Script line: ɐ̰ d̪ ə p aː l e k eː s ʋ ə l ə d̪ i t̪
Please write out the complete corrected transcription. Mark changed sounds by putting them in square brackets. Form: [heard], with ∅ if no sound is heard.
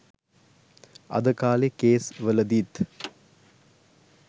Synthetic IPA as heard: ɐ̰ d̪ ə [k] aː l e k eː s ʋ ə l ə d̪ i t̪